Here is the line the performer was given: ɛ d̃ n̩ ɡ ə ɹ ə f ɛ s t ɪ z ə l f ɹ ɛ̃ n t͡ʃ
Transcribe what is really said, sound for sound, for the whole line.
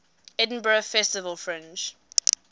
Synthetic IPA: ɛ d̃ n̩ b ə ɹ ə f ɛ s t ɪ v ə l f ɹ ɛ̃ n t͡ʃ